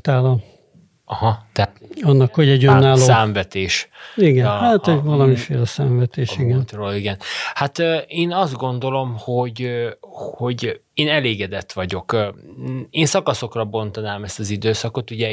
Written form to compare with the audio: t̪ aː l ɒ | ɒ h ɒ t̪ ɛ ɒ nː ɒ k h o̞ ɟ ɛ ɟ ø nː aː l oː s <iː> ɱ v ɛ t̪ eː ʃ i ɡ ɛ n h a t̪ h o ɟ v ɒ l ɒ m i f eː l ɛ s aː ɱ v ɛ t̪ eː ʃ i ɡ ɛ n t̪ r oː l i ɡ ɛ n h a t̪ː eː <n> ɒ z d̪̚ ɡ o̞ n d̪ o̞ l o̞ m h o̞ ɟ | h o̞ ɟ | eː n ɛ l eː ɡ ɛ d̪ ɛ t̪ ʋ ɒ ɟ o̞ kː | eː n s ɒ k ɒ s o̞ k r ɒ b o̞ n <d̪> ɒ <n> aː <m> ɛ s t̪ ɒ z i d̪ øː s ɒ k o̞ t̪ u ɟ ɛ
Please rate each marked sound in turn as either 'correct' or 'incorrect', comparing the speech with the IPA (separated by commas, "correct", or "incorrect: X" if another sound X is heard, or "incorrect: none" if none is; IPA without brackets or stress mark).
incorrect: aː, correct, incorrect: t̪, correct, correct